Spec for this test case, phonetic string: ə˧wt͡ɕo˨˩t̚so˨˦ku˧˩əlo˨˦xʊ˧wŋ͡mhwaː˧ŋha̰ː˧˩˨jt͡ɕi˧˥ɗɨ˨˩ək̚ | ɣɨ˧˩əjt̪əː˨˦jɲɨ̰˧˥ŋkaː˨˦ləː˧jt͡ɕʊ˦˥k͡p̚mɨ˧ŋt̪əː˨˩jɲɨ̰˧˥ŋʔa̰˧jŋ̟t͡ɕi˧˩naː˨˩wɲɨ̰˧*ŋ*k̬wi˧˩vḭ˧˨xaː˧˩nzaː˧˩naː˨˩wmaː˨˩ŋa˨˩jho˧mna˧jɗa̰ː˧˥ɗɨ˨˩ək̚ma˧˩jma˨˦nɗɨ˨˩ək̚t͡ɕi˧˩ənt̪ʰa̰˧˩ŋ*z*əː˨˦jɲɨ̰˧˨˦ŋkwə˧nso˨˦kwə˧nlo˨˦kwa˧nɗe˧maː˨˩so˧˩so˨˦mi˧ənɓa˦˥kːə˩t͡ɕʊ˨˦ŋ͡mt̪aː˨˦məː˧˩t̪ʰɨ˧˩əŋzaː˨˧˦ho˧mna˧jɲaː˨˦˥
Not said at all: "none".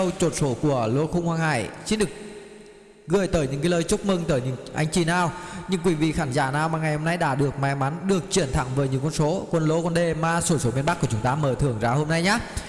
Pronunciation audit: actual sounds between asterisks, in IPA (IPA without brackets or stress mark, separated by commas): ŋ, v